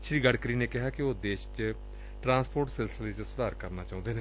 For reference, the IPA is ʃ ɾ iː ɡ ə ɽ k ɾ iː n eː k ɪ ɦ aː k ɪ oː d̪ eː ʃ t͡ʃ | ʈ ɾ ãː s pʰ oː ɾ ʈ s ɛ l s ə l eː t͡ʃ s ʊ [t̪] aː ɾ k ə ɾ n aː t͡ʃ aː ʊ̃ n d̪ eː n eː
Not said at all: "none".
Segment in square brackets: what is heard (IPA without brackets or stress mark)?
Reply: d̪